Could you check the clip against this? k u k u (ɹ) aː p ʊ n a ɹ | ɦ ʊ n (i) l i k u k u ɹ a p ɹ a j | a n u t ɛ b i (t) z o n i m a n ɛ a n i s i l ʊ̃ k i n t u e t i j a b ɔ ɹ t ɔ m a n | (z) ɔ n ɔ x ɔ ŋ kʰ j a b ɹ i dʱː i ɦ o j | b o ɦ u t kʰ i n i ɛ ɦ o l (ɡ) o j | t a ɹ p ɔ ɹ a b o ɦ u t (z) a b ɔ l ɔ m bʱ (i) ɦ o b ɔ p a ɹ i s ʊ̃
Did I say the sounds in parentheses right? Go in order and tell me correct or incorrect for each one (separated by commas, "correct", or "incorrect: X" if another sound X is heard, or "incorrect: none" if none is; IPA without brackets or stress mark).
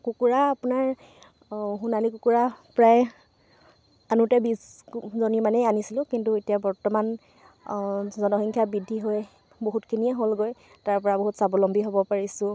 correct, incorrect: a, incorrect: s, correct, correct, incorrect: s, correct